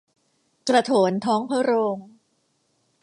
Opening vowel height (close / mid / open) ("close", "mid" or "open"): open